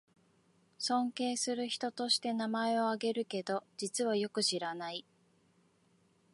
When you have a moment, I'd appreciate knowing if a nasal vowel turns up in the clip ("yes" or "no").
yes